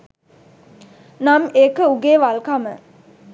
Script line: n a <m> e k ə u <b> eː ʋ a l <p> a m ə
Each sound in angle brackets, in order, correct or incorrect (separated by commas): correct, incorrect, incorrect